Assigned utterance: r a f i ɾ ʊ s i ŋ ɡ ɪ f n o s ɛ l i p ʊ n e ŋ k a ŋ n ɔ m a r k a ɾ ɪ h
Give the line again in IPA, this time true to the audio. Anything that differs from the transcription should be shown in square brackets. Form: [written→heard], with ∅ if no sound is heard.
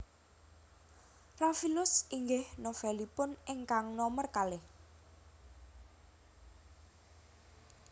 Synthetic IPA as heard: r a f i [ɾ→l] ʊ s i ŋ ɡ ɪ [f→h] n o [s→f] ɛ l i p ʊ n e ŋ k a ŋ n ɔ m [a→ə] r k a [ɾ→l] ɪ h